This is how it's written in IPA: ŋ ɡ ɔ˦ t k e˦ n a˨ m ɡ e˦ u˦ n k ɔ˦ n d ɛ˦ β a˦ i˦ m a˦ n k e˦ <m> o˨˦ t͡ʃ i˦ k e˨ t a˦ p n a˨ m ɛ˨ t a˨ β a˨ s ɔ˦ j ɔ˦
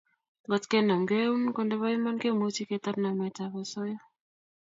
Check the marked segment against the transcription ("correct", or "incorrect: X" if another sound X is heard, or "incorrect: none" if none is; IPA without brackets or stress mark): correct